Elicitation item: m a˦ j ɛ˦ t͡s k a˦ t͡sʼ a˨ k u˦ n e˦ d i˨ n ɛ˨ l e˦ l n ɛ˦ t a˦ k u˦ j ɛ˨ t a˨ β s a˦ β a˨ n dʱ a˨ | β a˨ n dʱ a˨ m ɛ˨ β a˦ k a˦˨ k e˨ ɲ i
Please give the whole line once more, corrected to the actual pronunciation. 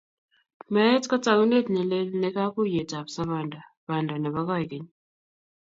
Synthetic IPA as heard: m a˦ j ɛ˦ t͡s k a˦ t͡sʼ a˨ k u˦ n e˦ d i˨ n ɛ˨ l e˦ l n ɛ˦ k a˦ k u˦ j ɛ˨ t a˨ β s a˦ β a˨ n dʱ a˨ | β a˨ n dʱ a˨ n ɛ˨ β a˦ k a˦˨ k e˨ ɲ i